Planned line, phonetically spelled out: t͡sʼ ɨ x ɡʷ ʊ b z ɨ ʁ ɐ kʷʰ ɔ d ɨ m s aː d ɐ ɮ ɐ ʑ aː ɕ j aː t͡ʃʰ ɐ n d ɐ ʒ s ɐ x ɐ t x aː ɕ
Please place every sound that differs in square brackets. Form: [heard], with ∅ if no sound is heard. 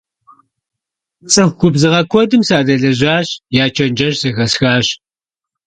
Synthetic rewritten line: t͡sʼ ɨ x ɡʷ ʊ b z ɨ ʁ ɐ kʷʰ ɔ d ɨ m s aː d ɐ ɮ ɐ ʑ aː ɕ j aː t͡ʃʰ ɐ n [d͡ʒ] ɐ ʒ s ɐ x ɐ [s] x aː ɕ